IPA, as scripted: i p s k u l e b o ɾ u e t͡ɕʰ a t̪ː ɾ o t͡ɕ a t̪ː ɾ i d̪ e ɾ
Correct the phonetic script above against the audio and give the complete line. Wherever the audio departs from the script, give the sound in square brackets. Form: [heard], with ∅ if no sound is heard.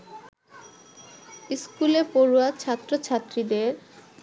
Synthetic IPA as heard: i [∅] s k u l e [p] o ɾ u [a] t͡ɕʰ a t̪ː ɾ o [t͡ɕʰ] a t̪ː ɾ i d̪ e ɾ

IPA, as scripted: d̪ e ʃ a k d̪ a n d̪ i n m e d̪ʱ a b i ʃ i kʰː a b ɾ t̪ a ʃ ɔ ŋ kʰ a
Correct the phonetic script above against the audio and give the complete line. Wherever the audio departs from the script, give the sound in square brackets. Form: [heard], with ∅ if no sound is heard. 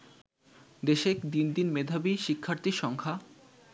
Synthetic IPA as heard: d̪ e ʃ [e] k d̪ [i] n d̪ i n m e d̪ʱ a b i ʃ i kʰː a [∅] ɾ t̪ [i] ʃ ɔ ŋ kʰ a

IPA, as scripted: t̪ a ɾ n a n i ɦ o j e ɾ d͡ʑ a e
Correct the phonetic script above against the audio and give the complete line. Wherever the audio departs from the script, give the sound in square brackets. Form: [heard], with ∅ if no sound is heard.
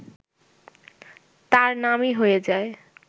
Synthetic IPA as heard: t̪ a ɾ n a [m] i ɦ o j e [∅] d͡ʑ a e

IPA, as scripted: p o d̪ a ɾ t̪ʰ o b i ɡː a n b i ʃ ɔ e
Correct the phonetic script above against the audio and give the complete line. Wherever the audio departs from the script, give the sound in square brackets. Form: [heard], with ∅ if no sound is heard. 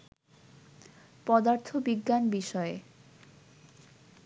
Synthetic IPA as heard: p [ɔ] d̪ a ɾ t̪ʰ o b i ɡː a n b i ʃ ɔ e

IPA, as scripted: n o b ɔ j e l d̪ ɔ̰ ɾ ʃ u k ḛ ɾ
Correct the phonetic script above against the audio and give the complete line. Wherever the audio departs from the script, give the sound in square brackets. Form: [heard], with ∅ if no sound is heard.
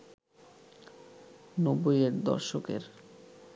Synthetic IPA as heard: n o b [o] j e [ɾ] d̪ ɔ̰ ɾ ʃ [o] k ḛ ɾ

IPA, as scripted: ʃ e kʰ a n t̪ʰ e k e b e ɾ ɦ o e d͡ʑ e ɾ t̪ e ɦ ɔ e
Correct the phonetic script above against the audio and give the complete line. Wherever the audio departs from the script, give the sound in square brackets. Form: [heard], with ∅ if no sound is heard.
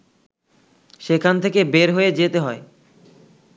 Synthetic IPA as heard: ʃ e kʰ a n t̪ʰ e k e b e ɾ ɦ o e d͡ʑ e [∅] t̪ e ɦ ɔ e

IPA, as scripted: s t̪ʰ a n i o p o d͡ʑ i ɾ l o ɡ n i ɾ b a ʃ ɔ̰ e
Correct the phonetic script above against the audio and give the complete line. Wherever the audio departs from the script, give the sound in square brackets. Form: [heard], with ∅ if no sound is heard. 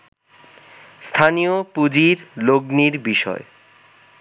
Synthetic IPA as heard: s t̪ʰ a n i o p [u] d͡ʑ i ɾ l o ɡ n i ɾ b [i] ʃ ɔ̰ e

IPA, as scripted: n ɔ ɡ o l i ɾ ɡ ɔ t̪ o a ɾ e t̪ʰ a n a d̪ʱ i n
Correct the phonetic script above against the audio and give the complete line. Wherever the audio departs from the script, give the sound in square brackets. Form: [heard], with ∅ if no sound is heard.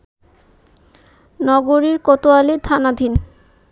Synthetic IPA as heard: n ɔ ɡ o [ɾ] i ɾ [k] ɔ t̪ o a [l] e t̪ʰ a n a d̪ʱ i n

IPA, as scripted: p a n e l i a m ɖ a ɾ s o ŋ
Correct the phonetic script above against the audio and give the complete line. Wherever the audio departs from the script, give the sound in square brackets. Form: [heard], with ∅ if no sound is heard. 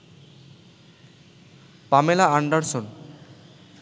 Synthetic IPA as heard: p a [m] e l [a] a [ɳ] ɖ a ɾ s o [n]

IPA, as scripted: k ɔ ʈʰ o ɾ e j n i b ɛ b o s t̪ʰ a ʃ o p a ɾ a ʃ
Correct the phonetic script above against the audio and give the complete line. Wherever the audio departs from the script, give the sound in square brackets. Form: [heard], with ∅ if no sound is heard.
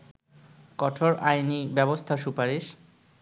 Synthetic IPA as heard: k ɔ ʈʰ o ɾ [a] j n i b ɛ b o s t̪ʰ a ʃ [u] p a ɾ [i] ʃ

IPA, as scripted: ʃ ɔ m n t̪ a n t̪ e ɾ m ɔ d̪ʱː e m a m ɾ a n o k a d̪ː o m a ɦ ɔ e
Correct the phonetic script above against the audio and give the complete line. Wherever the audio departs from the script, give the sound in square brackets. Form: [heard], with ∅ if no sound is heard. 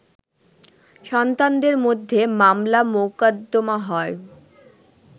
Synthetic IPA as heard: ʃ ɔ [∅] n t̪ a n [d̪] e ɾ m [o] d̪ʱː e m a m [l] a [m] o k a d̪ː o m a ɦ ɔ e

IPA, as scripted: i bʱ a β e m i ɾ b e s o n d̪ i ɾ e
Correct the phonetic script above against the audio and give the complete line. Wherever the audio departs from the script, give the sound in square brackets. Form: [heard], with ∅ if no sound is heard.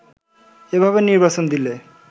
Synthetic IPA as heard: [e] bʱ a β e [n] i ɾ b [a] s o n d̪ i [l] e

